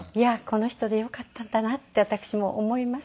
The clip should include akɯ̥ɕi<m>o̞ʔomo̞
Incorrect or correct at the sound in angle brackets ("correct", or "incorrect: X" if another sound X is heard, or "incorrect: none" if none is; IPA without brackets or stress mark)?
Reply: correct